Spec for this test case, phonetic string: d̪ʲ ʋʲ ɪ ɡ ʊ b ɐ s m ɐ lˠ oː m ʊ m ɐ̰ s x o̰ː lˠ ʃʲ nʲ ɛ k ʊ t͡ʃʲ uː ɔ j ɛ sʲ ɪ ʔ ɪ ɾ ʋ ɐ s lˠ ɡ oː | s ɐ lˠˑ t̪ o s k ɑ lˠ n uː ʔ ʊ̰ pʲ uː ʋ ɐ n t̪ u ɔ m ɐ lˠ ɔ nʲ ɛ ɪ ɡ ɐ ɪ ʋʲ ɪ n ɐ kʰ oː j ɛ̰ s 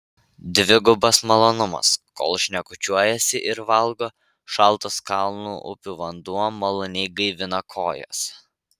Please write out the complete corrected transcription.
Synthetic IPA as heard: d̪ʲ ʋʲ ɪ ɡ ʊ b ɐ s m ɐ lˠ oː n ʊ m ɐ̰ s k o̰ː lˠ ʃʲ nʲ ɛ k ʊ t͡ʃʲ u ɔ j ɛ sʲ ɪ ʔ ɪ ɾ ʋ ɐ lˠ ɡ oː | ʃ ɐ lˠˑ t̪ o s k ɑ lˠ n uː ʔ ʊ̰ pʲ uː ʋ ɐ n d̪ u ɔ m ɐ lˠ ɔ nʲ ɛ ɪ ɡ ɐ ɪ ʋʲ ɪ n ɐ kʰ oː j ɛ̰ s